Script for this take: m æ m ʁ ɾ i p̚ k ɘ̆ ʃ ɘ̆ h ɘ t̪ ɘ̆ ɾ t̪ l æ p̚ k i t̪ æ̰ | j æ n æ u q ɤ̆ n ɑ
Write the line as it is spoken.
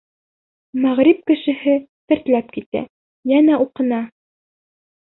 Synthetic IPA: m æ ʁ ɾ i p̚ k ɘ̆ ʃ ɘ̆ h ɘ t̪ ɘ̆ ɾ t̪ l æ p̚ k i t̪ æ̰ | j æ n æ u q ɤ̆ n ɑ